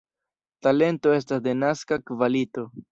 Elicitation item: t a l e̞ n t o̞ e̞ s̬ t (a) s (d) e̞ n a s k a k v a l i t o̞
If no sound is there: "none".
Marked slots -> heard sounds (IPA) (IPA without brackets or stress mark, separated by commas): a, d